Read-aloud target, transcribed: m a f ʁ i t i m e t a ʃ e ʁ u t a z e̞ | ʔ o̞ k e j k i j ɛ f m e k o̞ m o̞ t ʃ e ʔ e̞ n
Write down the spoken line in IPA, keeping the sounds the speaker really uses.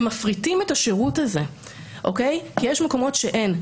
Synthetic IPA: m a f ʁ i t i m e t a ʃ e ʁ u t a z e̞ | ʔ o̞ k e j k i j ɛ ʃ m e k o̞ m o̞ t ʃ e ʔ e̞ n